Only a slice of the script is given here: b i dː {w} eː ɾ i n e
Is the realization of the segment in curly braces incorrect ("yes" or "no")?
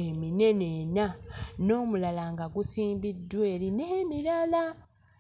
no